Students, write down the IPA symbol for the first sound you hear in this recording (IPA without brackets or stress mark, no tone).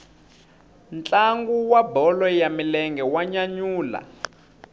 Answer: n